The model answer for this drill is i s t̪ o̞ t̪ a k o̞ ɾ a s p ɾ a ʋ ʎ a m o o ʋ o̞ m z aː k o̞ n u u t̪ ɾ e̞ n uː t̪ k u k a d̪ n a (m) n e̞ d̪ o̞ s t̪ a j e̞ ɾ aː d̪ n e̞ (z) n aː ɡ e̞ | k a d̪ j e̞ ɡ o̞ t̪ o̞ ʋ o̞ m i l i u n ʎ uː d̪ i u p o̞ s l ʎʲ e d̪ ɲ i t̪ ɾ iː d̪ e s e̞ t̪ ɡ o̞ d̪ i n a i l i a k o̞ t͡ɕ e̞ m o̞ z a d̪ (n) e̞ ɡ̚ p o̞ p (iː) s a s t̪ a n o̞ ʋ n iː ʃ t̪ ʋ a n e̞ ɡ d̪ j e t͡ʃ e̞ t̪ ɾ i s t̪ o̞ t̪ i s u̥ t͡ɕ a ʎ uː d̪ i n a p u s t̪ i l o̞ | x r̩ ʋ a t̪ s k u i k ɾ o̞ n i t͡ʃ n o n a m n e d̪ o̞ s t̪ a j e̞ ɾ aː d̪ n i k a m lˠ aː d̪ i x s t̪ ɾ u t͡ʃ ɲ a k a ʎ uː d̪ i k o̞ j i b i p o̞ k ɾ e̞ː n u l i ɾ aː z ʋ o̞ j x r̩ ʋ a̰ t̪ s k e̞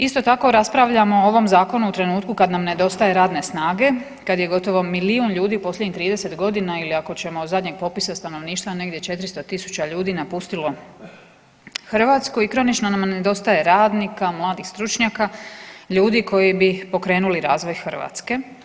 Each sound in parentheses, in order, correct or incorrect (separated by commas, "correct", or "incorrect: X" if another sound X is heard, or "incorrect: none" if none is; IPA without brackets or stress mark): correct, incorrect: s, incorrect: ɲ, incorrect: i